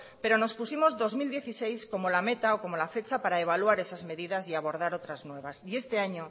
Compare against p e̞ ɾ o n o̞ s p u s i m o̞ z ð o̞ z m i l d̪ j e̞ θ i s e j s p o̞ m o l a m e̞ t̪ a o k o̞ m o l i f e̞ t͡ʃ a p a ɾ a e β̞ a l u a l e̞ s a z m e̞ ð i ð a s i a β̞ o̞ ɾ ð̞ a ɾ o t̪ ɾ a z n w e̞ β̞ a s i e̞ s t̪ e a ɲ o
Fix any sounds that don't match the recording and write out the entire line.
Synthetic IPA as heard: p e̞ ɾ o n o̞ s p u s i m o̞ z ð o̞ z m i l d̪ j e̞ θ i s e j s k o̞ m o l a m e̞ t̪ a o k o̞ m o l a f e̞ t͡ʃ a p a ɾ a e β̞ a l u a ɾ e̞ s a z m e̞ ð i ð a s i a β̞ o̞ ɾ ð̞ a ɾ o t̪ ɾ a z n w e̞ β̞ a s i e̞ s t̪ e a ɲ o